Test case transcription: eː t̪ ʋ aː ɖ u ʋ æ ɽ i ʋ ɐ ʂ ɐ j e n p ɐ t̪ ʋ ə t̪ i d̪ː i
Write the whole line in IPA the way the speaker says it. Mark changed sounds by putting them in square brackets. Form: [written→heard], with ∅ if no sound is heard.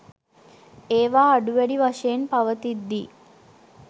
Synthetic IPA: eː [t̪→∅] ʋ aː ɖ u ʋ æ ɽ i ʋ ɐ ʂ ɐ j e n p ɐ [t̪→∅] ʋ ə t̪ i d̪ː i